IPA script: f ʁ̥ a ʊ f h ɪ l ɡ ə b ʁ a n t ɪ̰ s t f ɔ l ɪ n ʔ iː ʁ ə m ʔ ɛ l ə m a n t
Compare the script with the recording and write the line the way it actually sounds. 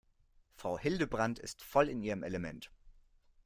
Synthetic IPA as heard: f ʁ̥ a ʊ h ɪ l d ə b ʁ a n t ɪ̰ s t f ɔ l ɪ n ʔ iː ʁ ə m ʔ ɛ l ə m ɛ n t

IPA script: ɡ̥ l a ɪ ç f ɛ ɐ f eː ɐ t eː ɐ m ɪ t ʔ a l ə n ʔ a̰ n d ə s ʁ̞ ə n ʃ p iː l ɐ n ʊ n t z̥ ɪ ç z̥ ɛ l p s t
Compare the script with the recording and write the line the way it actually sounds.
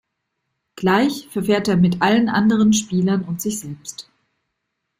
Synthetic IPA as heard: ɡ̥ l a ɪ ç f ɛ ɐ f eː ɐ t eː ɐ m ɪ t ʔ a l ə n ʔ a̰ n d ə ʁ̞ ə n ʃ p iː l ɐ n ʊ n t z̥ ɪ ç z̥ ɛ l p s t

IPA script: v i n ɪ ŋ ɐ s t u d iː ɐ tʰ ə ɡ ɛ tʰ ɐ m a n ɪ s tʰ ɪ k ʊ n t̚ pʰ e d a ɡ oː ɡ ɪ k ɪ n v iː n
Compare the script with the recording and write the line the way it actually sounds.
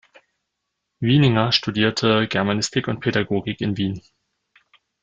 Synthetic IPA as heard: v i n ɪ ŋ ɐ ʃ t u d iː ɐ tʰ ə ɡ ɛ ɐ m a n ɪ s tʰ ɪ k ʊ n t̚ pʰ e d a ɡ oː ɡ ɪ k ɪ n v iː n

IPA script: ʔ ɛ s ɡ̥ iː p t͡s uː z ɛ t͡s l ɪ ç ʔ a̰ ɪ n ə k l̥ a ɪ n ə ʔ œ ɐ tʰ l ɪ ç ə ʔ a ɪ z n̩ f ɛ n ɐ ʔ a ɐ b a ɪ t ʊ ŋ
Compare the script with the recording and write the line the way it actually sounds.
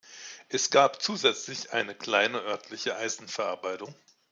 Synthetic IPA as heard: ʔ ɛ s ɡ̥ aː p t͡s uː z ɛ t͡s l ɪ ç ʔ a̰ ɪ n ə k l̥ a ɪ n ə ʔ œ ɐ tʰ l ɪ ç ə ʔ a ɪ z n̩ f ɛ ɐ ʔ a ɐ b a ɪ t ʊ ŋ

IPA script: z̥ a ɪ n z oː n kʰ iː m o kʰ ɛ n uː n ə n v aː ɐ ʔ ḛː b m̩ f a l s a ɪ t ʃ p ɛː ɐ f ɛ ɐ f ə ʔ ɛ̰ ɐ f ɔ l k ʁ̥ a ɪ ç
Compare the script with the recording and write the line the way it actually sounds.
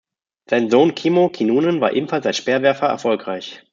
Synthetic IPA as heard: z̥ a ɪ n z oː n kʰ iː m o kʰ i n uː n ə n v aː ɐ ʔ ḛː b m̩ f a l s a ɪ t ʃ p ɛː ɐ v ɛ ɐ f ɐ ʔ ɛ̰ ɐ f ɔ l k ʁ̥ a ɪ ç

